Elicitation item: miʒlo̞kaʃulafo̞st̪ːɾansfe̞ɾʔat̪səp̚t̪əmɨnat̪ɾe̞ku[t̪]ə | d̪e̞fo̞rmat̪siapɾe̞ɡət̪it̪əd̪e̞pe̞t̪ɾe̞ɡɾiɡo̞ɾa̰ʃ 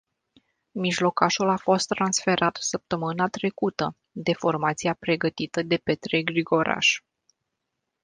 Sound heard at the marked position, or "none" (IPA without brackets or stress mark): t̪